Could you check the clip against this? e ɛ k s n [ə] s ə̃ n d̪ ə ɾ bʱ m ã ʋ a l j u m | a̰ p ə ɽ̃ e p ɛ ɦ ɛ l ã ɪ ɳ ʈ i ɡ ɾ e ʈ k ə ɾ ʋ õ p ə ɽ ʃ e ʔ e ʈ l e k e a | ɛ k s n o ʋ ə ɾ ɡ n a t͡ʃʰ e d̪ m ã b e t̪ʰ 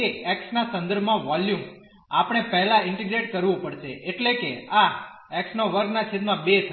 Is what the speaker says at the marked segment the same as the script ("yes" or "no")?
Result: no